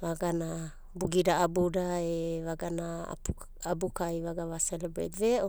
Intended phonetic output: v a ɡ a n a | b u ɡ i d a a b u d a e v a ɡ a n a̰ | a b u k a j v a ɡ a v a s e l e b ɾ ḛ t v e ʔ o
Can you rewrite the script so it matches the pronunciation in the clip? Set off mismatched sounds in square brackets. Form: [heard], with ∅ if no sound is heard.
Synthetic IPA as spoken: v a ɡ a n a | b u ɡ i d a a b u d a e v a ɡ a n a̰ | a b u k a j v a ɡ a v a s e l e b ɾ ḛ t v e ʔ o